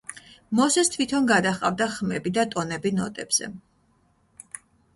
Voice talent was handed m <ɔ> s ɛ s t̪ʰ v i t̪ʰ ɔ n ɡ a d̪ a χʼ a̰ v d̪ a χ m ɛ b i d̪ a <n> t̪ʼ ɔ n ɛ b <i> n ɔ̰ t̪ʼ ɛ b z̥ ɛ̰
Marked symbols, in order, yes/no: yes, no, yes

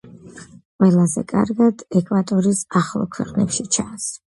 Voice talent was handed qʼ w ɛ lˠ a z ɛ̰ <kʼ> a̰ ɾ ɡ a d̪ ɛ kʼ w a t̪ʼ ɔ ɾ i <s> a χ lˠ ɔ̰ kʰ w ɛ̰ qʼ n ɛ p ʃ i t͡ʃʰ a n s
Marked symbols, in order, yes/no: yes, yes

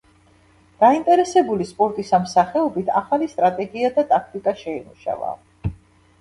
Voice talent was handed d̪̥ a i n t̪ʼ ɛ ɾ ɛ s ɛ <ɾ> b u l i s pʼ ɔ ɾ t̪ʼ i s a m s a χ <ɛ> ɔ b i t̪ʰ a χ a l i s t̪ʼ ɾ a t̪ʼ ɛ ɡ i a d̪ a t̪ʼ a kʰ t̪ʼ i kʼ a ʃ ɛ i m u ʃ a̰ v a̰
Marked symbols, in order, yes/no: no, yes

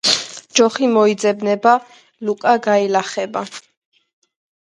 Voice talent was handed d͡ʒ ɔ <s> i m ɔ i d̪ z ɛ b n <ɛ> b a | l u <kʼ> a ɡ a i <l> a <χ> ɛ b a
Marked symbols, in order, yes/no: no, yes, yes, yes, yes

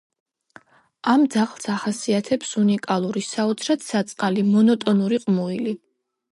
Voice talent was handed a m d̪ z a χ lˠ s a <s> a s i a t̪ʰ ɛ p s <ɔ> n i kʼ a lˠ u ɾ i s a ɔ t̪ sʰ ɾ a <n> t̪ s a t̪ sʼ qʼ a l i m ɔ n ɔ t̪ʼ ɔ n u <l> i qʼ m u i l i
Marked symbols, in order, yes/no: no, no, no, no

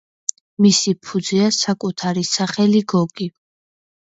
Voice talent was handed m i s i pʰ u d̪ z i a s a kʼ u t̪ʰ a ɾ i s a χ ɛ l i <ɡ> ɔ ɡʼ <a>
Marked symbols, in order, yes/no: yes, no

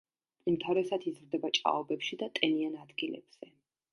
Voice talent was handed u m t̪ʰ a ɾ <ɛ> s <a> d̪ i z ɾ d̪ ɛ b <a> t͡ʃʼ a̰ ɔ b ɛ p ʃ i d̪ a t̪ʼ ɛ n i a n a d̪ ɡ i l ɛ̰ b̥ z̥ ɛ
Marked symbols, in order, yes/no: yes, yes, yes

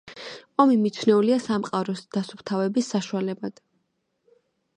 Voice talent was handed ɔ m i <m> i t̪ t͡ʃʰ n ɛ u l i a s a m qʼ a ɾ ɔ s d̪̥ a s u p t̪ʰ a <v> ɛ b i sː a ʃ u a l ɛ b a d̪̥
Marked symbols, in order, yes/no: yes, yes

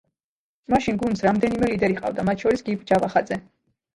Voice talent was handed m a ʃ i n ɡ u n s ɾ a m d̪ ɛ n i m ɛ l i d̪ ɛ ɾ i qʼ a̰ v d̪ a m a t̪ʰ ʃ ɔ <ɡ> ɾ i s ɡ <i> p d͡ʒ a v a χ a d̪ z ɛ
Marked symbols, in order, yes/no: no, yes

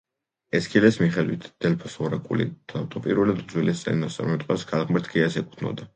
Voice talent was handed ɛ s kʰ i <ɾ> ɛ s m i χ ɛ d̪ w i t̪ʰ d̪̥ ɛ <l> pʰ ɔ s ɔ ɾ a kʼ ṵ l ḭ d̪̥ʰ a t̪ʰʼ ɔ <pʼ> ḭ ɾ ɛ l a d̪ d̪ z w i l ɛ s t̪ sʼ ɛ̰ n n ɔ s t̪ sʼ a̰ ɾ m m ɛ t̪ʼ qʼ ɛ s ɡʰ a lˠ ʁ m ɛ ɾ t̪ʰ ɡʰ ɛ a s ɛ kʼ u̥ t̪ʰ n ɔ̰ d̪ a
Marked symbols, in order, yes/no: no, yes, yes

